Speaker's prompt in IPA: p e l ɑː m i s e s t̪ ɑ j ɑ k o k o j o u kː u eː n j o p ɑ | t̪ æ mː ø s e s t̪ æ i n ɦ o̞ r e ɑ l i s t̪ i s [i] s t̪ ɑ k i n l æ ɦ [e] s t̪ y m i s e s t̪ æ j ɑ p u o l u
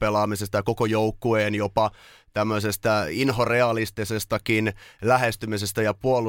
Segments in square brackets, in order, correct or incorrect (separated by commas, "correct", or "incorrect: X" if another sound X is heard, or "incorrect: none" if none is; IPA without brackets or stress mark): incorrect: e, correct